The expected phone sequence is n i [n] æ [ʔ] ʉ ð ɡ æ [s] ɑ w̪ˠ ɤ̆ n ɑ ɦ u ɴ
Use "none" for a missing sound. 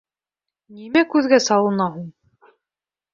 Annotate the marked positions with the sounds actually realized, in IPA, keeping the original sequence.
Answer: m, k, s

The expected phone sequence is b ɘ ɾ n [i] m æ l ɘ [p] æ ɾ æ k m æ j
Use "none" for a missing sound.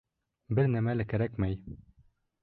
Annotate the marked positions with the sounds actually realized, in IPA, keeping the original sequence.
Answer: æ, k

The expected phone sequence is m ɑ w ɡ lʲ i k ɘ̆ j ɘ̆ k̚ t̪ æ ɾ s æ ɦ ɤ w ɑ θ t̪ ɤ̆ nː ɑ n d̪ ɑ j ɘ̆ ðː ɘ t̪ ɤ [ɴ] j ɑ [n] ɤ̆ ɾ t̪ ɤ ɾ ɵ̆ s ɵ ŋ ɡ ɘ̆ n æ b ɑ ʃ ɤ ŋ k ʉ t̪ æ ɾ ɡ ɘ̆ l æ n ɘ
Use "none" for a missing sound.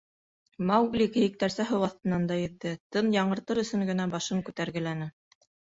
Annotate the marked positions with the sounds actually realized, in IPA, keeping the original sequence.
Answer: n, ɴ

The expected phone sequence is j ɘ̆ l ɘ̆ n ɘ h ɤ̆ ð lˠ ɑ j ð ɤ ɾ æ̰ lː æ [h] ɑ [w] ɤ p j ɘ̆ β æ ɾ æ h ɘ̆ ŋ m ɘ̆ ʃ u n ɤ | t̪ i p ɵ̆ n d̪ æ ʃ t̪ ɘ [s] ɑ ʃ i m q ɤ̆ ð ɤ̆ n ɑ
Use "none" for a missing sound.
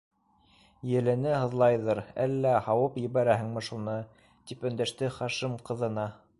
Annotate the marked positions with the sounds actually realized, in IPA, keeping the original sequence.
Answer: h, w, χ

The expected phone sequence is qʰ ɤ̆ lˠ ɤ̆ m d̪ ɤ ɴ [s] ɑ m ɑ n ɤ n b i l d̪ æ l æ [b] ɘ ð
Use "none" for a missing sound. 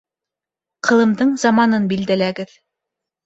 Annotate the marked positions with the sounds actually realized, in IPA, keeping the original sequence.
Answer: z, ɡ

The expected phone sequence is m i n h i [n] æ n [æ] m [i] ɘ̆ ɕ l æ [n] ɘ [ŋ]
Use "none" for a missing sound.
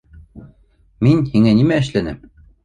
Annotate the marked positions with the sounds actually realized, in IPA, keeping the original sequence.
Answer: ŋ, i, æ, n, m

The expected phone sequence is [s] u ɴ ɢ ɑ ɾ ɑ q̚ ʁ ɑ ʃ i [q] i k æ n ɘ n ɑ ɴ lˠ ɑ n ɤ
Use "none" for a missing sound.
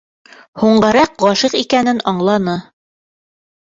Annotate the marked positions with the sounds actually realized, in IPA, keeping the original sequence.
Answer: h, q

